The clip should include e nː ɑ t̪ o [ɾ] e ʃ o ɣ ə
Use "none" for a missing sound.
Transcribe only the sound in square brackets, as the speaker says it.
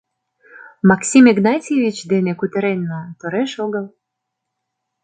ɾ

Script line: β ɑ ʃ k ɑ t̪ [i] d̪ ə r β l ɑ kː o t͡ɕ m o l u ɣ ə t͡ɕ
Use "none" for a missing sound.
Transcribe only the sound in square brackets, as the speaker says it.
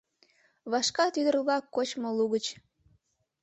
y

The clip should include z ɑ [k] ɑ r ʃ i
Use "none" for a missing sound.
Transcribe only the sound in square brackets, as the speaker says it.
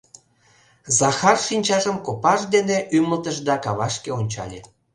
x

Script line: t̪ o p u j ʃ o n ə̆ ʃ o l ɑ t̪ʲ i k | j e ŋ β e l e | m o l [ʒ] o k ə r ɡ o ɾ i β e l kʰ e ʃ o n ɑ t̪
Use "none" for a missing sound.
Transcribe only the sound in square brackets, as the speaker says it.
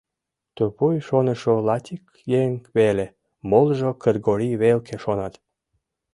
ʒ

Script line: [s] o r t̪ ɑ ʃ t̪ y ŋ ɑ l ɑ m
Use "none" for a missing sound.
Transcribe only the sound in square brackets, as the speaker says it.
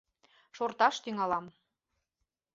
ʃ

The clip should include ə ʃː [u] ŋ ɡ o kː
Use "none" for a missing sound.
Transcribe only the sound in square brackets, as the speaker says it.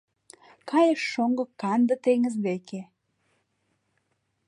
o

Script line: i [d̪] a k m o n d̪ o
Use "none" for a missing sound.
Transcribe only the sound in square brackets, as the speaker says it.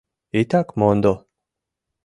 t̪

